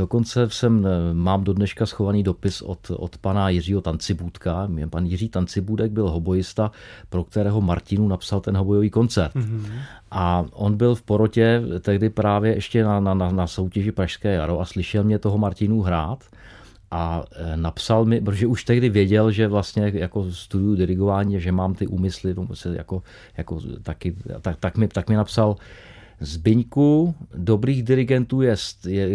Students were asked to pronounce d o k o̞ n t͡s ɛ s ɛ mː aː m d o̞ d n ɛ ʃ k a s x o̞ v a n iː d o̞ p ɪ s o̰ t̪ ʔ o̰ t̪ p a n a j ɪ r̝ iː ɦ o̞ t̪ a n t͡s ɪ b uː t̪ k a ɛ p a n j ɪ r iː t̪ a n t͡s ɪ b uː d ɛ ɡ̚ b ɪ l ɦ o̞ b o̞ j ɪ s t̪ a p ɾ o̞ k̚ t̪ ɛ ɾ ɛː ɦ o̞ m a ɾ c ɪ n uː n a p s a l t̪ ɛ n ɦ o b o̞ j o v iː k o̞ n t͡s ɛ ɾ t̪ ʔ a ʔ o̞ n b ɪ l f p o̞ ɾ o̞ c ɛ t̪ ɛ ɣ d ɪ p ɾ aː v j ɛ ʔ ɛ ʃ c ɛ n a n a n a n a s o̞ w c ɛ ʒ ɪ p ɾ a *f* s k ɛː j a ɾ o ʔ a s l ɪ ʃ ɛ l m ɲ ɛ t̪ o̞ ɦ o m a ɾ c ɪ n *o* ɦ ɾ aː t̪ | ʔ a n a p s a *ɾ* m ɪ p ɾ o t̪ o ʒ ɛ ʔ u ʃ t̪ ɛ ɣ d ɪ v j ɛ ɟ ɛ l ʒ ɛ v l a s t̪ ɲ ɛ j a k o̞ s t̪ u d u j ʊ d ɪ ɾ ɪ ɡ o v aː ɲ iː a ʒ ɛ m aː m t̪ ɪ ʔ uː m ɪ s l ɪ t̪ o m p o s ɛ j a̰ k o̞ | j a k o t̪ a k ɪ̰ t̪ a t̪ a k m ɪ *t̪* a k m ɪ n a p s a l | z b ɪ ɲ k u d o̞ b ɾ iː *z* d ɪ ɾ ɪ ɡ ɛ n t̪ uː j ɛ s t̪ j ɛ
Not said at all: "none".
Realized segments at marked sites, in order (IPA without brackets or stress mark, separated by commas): ʃ, u, l, t̪, ɣ